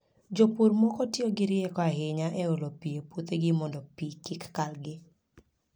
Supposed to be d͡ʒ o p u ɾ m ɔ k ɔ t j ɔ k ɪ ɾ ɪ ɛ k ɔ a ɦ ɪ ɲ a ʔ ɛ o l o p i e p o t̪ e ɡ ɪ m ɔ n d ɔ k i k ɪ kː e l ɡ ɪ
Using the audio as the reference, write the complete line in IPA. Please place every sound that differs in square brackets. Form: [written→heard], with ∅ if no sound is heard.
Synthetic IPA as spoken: d͡ʒ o p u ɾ m ɔ k ɔ t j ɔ [k→ɡ] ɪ ɾ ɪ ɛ k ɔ a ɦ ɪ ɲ a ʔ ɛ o l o p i e p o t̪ e ɡ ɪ m ɔ n d ɔ [k→p] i k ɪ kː [e→a] l ɡ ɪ